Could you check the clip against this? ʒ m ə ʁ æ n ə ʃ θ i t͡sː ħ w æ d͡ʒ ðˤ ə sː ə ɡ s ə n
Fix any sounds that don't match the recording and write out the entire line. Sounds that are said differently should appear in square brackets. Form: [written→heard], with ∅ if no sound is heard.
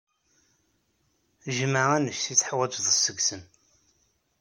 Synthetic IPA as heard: ʒ m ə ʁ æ n ə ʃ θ i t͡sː ħ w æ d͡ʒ ðˤ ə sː ə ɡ s ə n